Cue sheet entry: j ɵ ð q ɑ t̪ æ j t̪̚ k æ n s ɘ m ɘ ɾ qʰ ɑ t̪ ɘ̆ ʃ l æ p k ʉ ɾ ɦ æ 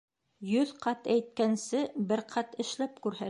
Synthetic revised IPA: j ɵ ð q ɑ t̪ æ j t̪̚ k æ n s ɘ b ɘ ɾ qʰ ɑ t̪ ɘ̆ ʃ l æ p k ʉ ɾ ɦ æ